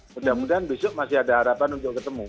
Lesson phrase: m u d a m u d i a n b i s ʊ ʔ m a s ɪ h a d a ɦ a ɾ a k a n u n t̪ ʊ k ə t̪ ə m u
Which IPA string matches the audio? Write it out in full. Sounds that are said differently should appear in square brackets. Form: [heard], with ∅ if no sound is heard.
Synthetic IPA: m u d a m u d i a n b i s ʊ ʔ m a s ɪ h a d a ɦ a ɾ a [p] a n u n t̪ ʊ k ə t̪ ə m u